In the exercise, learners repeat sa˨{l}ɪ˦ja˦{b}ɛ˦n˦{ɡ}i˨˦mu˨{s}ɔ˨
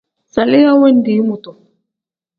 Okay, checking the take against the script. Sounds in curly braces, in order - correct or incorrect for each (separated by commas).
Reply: correct, incorrect, incorrect, incorrect